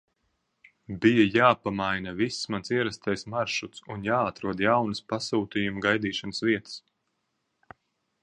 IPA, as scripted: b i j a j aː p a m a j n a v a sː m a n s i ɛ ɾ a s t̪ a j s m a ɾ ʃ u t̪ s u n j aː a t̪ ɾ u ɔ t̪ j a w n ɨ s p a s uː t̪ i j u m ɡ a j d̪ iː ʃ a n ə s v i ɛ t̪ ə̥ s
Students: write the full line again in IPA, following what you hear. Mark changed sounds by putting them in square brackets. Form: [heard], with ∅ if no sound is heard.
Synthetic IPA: b i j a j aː p a m a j n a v [i] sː m a n s i ɛ ɾ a s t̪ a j s m a ɾ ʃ u t̪ s u n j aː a t̪ ɾ u ɔ [d̪] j a w n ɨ s p a s uː t̪ i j u m ɡ a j d̪ iː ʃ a n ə s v i ɛ t̪ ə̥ s

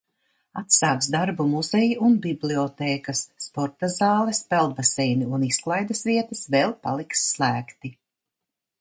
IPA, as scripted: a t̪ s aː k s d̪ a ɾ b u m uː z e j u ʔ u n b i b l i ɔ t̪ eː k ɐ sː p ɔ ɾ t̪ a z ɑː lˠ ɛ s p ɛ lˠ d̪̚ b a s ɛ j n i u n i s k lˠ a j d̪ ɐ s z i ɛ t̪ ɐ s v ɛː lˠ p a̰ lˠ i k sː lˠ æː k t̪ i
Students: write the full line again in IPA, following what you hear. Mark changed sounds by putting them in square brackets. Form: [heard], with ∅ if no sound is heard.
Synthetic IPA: a t̪ s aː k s d̪ a ɾ b u m [u] z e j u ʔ u n b i b l i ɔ t̪ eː k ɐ sː p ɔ ɾ t̪ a z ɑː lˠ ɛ s p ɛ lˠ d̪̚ b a s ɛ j n i u n i s k lˠ a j d̪ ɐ s [v] i ɛ t̪ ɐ s v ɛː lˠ p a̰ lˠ i k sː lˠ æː k t̪ i

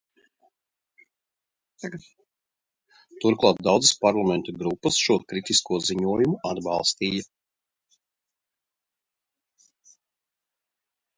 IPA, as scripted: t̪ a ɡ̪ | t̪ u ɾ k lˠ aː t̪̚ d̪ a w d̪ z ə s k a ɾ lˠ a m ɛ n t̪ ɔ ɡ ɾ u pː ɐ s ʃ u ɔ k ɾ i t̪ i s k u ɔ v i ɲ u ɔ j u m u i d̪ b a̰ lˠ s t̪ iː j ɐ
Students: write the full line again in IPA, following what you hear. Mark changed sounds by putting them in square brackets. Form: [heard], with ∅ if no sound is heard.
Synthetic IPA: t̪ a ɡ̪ | t̪ u ɾ k lˠ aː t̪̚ d̪ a w d̪ z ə s [p] a ɾ lˠ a m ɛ n t̪ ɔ ɡ ɾ u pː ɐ s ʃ u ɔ k ɾ i t̪ i s k u ɔ [z] i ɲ u ɔ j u m u [a] d̪ b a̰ lˠ s t̪ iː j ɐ

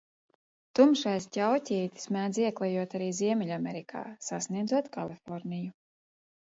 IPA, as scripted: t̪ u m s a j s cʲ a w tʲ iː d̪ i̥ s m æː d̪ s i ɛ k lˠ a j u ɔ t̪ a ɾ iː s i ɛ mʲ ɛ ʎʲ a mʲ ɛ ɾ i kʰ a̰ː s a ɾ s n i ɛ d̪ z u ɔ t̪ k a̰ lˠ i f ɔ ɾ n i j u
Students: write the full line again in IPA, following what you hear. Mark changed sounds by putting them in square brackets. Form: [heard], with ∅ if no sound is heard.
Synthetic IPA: t̪ u m [ʃ] a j s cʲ a w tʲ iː [t̪] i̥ s m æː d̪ [z] i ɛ k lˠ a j u ɔ t̪ a ɾ iː [z] i ɛ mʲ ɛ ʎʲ a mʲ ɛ ɾ i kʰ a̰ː s a [∅] s n i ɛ d̪ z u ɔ t̪ k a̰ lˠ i f ɔ ɾ n i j u

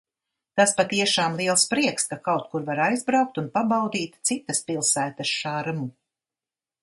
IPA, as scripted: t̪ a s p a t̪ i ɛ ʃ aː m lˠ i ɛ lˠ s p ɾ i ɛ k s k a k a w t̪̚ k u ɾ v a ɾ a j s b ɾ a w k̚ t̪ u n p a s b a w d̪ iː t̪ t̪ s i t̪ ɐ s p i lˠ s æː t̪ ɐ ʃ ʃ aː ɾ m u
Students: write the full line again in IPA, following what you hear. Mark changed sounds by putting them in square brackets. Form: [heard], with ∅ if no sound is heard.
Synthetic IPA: t̪ a s p a t̪ i ɛ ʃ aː m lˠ i ɛ lˠ s p ɾ i ɛ k s k a k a w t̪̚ k u ɾ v a ɾ a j [z] b ɾ a w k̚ t̪ u n p a [∅] b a w d̪ iː t̪ t̪ s i t̪ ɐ s p i lˠ s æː t̪ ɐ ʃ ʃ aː ɾ m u

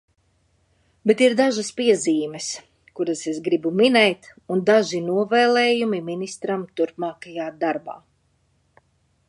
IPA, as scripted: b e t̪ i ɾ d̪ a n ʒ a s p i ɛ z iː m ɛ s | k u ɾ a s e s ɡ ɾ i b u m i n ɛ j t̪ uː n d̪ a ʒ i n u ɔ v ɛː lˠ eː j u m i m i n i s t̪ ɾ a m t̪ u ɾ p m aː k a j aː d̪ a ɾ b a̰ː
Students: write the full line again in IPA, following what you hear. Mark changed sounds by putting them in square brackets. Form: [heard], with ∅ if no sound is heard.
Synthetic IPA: b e t̪ i ɾ d̪ a [∅] ʒ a s p i ɛ z iː m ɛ s | k u ɾ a s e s ɡ ɾ i b u m i n ɛ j t̪ [u] n d̪ a ʒ i n u ɔ v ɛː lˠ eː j u m i m i n i s t̪ ɾ a m t̪ u ɾ p m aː k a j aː d̪ a ɾ b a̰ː

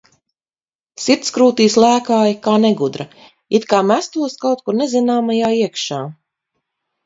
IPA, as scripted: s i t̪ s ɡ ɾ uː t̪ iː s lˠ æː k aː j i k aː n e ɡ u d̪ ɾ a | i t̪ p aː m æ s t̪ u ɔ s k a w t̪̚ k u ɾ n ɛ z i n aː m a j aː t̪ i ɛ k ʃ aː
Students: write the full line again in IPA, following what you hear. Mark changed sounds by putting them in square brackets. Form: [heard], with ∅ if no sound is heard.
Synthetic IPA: s i t̪ s [k] ɾ uː t̪ iː s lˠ æː k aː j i k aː n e ɡ u d̪ ɾ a | i t̪ [k] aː m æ s t̪ u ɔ s k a w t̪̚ k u ɾ n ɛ z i n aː m a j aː [∅] i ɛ k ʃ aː

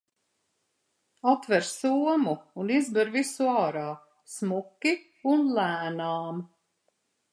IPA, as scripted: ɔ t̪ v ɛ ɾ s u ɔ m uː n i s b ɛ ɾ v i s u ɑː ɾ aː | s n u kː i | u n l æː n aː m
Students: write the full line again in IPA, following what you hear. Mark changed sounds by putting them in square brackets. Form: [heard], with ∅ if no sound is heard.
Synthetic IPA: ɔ t̪ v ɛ ɾ s u ɔ m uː n i [z] b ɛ ɾ v i s u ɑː ɾ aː | s [m] u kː i | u n l æː n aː m

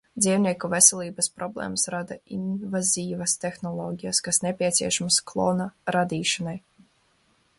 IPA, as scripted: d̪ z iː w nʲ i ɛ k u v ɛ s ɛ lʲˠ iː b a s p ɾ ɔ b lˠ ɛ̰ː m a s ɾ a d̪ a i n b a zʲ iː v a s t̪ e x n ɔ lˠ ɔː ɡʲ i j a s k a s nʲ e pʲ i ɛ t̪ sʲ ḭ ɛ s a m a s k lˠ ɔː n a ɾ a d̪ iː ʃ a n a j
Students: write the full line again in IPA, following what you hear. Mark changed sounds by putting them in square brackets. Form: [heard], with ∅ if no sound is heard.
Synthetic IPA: d̪ z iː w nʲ i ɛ k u v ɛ s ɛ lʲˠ iː b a s p ɾ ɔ b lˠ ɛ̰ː m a s ɾ a d̪ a i n [v] a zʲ iː v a s t̪ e x n ɔ lˠ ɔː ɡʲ i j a s k a s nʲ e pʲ i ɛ t̪ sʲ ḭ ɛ [ʃ] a m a s k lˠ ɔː n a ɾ a d̪ iː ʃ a n a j

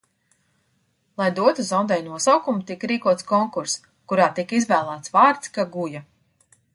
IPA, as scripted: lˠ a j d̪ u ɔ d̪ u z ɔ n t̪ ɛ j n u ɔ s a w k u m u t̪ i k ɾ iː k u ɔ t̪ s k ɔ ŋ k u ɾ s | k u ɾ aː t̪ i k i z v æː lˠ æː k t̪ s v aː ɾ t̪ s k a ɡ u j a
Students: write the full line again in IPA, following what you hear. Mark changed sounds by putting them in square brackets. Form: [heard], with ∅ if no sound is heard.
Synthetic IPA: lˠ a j d̪ u ɔ [t̪] u z ɔ n [d̪] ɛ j n u ɔ s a w k u m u t̪ i k ɾ iː k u ɔ t̪ s k ɔ ŋ k u ɾ s | k u ɾ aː t̪ i k i z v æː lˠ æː [∅] t̪ s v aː ɾ t̪ s k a ɡ u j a

